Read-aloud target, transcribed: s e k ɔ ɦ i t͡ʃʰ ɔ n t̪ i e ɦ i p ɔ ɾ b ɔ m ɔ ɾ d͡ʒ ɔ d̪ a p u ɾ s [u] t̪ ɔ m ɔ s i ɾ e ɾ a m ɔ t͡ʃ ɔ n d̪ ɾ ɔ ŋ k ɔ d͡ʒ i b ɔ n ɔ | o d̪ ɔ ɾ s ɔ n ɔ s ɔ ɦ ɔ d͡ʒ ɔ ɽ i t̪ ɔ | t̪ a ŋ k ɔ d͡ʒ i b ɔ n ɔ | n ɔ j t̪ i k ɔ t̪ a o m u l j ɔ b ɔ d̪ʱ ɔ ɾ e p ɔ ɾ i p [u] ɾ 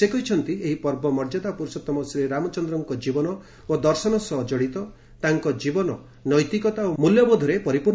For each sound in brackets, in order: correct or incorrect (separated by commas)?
incorrect, correct